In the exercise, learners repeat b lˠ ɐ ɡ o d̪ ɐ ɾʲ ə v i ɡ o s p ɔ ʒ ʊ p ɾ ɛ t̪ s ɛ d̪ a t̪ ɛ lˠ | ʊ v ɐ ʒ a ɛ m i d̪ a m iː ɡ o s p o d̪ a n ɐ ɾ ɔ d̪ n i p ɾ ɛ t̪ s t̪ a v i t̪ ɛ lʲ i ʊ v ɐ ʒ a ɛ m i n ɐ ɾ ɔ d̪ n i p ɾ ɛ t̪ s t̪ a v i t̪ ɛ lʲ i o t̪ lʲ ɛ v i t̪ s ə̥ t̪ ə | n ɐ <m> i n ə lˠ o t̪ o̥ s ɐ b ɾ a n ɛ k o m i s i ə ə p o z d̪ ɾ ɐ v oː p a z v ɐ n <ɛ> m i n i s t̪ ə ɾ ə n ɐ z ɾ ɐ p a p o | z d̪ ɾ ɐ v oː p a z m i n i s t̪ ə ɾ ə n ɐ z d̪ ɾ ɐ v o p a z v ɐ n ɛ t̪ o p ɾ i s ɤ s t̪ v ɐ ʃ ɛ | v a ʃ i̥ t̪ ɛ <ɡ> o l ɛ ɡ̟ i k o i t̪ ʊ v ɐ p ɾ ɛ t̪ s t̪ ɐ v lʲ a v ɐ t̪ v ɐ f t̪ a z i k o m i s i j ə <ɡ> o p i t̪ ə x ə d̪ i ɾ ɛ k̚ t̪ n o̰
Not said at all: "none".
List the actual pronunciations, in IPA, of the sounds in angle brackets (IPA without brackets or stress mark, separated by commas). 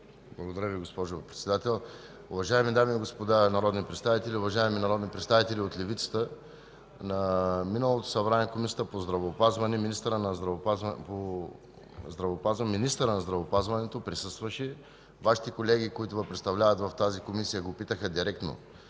m, ɛ, k, ɡ